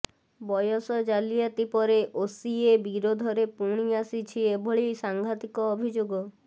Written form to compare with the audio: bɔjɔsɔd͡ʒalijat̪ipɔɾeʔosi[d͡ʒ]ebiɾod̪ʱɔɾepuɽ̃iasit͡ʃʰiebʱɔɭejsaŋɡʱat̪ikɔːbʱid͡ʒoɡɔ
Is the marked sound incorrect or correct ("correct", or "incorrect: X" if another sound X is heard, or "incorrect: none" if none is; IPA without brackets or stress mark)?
incorrect: none